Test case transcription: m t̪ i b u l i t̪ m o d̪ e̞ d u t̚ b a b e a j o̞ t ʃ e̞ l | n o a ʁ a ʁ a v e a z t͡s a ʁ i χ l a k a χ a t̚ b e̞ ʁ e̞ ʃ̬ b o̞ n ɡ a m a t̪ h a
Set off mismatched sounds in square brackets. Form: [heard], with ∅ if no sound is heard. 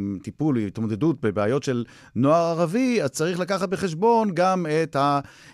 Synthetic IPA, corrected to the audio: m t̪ i [p] u l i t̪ m o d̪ e̞ d u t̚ b [e] b e a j o̞ t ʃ e̞ l | n o a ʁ a ʁ a v [i] a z t͡s a ʁ i χ l a k a χ a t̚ b e̞ [χ] e̞ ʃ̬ b o̞ n ɡ a m [e] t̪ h a